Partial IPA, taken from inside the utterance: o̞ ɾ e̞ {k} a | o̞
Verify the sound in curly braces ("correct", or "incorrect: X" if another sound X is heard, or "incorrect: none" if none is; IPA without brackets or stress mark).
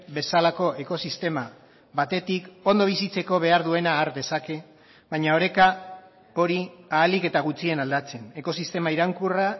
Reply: correct